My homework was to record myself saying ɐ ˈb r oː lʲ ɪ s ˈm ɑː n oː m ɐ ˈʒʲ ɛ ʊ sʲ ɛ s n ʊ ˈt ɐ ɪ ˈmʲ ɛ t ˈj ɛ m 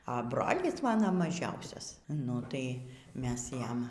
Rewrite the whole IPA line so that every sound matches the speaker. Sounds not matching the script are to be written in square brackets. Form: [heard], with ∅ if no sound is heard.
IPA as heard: ɐ ˈb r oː lʲ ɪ s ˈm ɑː n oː m ɐ ˈʒʲ ɛ ʊ sʲ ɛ s n ʊ ˈt ɐ ɪ ˈmʲ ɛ [s] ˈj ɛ m